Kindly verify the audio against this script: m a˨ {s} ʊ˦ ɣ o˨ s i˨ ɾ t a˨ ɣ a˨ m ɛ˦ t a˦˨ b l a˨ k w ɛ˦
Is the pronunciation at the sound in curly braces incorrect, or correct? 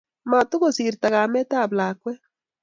incorrect